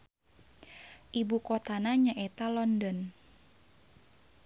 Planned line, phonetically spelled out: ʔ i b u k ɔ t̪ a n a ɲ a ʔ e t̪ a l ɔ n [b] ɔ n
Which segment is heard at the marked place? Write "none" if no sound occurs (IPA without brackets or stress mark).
d